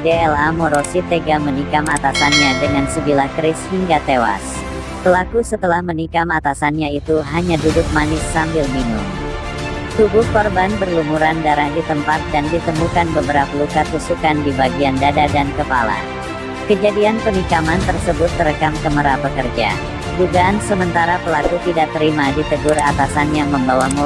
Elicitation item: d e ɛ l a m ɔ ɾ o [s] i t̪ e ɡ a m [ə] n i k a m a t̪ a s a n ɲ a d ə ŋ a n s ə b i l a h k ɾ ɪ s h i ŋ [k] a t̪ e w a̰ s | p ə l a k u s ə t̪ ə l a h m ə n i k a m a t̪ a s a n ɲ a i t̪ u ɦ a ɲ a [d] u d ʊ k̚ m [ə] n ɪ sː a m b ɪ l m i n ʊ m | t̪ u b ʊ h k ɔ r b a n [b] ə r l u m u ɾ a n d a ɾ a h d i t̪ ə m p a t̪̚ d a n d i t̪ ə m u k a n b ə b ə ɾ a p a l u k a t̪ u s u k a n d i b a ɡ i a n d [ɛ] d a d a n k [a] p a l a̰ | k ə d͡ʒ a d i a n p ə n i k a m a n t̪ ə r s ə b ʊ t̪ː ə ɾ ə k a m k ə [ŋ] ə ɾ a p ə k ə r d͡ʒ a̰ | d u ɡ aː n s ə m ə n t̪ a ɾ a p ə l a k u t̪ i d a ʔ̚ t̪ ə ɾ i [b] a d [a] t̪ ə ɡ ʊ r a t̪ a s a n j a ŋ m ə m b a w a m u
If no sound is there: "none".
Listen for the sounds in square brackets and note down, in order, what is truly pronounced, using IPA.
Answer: s, ə, ɡ, d, a, b, a, ə, m, m, i

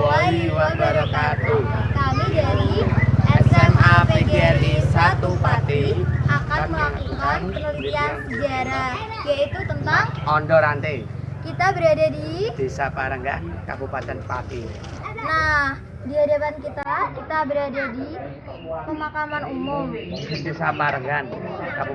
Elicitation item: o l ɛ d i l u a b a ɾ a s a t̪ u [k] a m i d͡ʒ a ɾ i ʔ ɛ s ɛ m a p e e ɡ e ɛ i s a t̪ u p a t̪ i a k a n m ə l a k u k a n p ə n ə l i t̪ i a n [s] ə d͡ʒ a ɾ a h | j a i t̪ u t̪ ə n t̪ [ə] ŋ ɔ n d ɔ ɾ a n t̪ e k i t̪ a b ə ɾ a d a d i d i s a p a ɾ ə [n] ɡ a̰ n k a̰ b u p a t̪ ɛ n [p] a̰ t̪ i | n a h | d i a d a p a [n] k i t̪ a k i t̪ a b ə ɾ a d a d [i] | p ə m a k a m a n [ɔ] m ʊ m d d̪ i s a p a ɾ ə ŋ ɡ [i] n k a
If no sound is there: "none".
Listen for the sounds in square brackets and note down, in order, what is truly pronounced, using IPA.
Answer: k, s, a, ŋ, p, n, i, u, a

